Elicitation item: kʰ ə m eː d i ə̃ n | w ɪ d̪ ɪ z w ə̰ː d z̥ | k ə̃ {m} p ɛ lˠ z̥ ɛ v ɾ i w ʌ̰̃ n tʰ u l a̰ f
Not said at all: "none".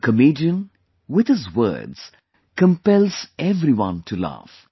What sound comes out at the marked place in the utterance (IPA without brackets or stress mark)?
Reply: m